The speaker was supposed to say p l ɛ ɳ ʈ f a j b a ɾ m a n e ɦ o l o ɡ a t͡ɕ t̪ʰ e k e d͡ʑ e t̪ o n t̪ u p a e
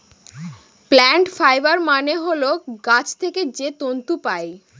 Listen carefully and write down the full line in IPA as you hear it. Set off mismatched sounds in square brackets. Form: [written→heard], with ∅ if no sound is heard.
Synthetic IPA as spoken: p l ɛ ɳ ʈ f a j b a ɾ m a n e ɦ o l o ɡ a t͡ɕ t̪ʰ e k e d͡ʑ e t̪ o n t̪ u p a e